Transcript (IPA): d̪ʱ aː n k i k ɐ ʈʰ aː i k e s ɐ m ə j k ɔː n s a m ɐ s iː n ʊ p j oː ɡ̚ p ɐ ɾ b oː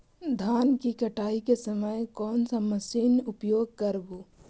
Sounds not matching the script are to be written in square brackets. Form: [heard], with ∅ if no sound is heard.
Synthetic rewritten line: d̪ʱ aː n k i k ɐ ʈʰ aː i k e s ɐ m ə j k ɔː n s a m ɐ s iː n ʊ p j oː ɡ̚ [k] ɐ ɾ b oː

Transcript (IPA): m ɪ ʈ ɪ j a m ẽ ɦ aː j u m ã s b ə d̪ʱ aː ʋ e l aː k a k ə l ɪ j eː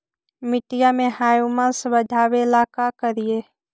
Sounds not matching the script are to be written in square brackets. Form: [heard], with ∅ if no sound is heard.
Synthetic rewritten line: m ɪ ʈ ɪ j a m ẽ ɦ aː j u m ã s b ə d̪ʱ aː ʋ e l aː k a k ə [ɾ] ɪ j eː

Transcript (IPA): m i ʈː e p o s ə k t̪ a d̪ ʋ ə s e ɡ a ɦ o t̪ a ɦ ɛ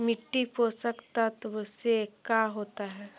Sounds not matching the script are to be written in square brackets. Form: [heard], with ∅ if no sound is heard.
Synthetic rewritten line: m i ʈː [i] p o s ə k t̪ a [t̪] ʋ ə s e [k] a ɦ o t̪ a ɦ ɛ

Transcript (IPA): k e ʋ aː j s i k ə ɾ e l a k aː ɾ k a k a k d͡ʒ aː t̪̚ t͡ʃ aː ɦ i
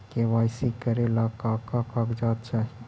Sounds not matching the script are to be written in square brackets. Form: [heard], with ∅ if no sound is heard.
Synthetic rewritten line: k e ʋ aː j s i k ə ɾ e l a k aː [∅] k a k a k d͡ʒ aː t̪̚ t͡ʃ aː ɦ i

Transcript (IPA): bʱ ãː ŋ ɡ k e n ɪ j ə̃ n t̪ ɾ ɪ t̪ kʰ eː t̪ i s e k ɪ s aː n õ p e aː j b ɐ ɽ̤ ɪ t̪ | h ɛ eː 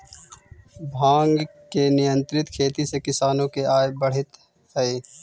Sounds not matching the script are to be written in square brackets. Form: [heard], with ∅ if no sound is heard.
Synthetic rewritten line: bʱ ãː ŋ ɡ k e n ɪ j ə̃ n t̪ ɾ ɪ t̪ kʰ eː t̪ i s e k ɪ s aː n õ [k] e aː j b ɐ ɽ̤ ɪ t̪ | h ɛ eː

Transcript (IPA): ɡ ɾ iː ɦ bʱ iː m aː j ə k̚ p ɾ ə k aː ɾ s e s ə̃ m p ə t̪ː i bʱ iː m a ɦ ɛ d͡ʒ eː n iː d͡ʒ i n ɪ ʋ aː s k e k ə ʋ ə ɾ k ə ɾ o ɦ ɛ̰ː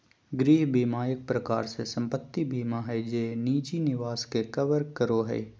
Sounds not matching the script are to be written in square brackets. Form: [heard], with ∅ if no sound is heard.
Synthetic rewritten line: ɡ ɾ iː ɦ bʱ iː m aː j ə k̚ p ɾ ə k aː ɾ s e s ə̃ m p ə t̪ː i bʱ iː m a ɦ ɛ d͡ʒ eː n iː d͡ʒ i n ɪ ʋ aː s k e k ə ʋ ə ɾ k ə ɾ o ɦ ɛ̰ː

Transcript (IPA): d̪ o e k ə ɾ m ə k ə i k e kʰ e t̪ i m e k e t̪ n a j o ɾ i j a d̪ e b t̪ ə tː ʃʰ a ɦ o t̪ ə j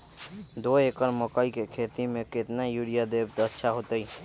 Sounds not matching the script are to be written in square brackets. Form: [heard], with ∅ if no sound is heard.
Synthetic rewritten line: d̪ o e k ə ɾ m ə k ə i k e kʰ e t̪ i m e k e t̪ n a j [u] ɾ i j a d̪ e b t̪ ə tː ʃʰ a ɦ o t̪ ə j

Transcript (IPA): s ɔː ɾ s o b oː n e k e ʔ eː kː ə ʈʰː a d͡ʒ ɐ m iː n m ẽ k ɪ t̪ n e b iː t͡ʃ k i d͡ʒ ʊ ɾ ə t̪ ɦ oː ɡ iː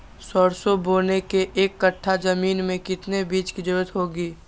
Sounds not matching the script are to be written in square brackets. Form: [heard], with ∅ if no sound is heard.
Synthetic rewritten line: s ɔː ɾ s o b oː n e k e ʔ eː kː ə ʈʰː a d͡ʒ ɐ m iː n m ẽ k ɪ t̪ n e b iː t͡ʃ k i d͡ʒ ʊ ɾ ə t̪ ɦ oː ɡ iː

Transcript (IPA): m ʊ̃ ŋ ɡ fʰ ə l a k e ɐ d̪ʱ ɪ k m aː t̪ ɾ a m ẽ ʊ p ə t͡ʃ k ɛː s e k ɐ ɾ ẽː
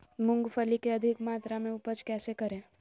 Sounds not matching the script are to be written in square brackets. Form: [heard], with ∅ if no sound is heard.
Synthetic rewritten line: m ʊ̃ ŋ ɡ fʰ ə l [i] k e ɐ d̪ʱ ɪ k m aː t̪ ɾ a m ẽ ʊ p ə t͡ʃ k ɛː s e k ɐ ɾ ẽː

